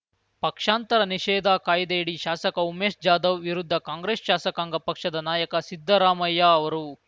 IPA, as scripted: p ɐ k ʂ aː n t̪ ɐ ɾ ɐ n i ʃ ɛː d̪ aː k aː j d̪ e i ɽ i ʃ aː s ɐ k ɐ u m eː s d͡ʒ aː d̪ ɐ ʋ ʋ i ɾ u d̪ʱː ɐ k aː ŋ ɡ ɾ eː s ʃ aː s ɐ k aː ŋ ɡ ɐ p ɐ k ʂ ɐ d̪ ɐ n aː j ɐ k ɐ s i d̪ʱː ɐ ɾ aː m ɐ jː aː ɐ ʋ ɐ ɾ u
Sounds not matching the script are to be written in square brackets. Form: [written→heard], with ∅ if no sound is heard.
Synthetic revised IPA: p ɐ k ʂ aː n t̪ ɐ ɾ ɐ n i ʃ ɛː d̪ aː k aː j d̪ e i ɽ i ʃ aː s ɐ k ɐ u m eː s d͡ʒ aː d̪ ɐ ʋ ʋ i ɾ u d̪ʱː ɐ k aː ŋ ɡ ɾ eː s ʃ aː s ɐ k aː ŋ ɡ ɐ p ɐ k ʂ ɐ d̪ ɐ n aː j ɐ k ɐ s i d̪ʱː ɐ ɾ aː m ɐ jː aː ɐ ʋ ɐ ɾ u